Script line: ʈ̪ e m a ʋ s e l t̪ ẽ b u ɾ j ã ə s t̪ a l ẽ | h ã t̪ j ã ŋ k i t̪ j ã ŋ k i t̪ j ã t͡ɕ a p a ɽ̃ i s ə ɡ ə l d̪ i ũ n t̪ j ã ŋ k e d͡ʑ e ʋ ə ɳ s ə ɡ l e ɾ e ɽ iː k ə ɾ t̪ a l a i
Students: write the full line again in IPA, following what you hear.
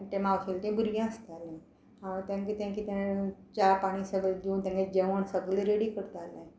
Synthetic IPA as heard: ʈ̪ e m a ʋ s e l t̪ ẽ b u ɾ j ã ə s t̪ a l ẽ | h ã t̪ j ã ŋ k i t̪ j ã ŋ k i t̪ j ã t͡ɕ a p a ɽ̃ i s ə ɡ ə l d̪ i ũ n t̪ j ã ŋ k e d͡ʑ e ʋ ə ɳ s ə ɡ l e ɾ e ɽ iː k ə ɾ t̪ a l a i